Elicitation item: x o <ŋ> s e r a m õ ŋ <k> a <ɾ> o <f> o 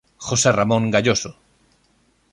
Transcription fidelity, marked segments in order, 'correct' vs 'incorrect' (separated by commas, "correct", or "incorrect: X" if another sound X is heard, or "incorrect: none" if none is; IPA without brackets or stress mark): incorrect: none, incorrect: ɡ, incorrect: ʎ, incorrect: s